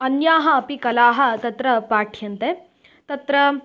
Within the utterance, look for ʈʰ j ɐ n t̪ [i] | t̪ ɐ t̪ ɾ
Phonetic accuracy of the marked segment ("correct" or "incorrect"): incorrect